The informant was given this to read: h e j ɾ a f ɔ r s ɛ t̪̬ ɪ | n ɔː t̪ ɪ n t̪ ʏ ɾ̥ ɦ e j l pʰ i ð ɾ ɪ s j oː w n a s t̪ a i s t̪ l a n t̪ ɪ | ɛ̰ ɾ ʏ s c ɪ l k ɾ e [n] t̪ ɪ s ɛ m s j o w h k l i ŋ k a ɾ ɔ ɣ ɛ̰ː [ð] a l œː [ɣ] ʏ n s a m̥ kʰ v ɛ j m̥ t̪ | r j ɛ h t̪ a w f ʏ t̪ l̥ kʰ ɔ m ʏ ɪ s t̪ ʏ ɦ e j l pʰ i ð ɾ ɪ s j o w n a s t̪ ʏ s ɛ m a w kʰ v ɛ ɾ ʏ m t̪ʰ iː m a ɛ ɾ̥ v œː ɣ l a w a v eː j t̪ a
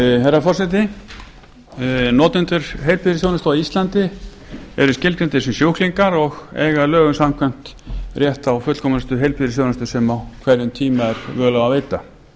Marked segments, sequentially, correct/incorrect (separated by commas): correct, incorrect, correct